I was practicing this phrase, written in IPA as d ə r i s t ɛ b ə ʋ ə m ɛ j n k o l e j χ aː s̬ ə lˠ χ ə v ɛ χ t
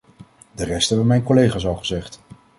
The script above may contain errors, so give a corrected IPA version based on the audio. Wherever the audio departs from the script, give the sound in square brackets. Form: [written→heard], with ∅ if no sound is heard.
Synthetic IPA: d ə r [i→ɛ] s t ɛ b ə ʋ ə m ɛ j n k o l e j χ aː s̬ [ə→ɑ] lˠ χ ə [v→z] ɛ χ t